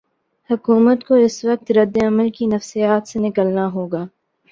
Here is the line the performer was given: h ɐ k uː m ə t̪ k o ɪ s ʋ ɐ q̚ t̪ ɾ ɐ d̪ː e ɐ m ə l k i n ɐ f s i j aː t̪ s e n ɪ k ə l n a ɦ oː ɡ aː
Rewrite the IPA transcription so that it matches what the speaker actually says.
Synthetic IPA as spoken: h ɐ k uː m ə t̪ k o ɪ s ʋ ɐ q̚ t̪ ɾ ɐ d̪ː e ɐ m ə l k i n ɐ f s i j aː t̪ s e n ɪ k ə l n a ɦ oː ɡ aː

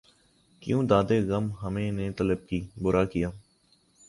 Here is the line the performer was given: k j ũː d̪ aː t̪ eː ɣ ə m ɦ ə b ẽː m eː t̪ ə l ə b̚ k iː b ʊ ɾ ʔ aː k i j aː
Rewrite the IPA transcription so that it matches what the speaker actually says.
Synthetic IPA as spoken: k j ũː d̪ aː d̪ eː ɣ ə m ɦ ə m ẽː n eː t̪ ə l ə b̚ k iː b ʊ ɾ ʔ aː k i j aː

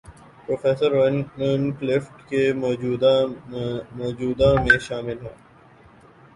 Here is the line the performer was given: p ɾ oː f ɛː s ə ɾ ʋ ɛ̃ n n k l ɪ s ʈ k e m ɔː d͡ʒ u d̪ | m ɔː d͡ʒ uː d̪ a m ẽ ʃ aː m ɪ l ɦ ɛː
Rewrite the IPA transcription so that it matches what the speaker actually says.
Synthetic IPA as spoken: p ɾ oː f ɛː s ə ɾ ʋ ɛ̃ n n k l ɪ f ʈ k e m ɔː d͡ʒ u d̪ | m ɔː d͡ʒ uː d̪ a m ẽ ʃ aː m ɪ l ɦ ɛː

